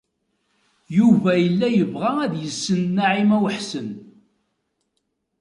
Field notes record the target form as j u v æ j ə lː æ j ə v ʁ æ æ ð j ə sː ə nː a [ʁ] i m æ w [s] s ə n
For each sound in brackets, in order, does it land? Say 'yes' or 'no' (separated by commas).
no, no